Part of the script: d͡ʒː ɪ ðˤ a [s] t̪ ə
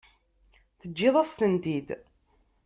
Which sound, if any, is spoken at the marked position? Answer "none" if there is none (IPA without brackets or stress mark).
s